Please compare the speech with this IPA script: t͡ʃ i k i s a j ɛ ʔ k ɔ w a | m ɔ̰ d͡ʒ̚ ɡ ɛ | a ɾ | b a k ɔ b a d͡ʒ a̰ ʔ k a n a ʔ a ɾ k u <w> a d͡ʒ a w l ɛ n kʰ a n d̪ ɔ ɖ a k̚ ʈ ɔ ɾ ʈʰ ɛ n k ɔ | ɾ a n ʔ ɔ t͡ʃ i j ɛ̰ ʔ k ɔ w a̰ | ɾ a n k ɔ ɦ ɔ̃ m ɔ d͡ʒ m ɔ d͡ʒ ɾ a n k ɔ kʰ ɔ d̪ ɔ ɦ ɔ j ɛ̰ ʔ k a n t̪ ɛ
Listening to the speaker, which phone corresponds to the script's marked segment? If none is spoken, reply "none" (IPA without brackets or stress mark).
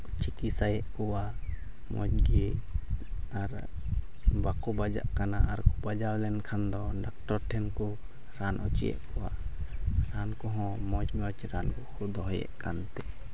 b